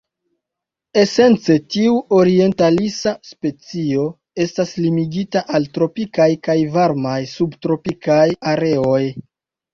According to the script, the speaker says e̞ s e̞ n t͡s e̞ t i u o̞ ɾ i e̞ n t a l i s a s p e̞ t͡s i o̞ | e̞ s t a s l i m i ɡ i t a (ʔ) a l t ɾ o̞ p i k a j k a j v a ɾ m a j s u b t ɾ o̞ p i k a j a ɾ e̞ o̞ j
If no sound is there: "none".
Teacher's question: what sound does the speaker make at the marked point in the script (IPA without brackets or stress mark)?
ʔ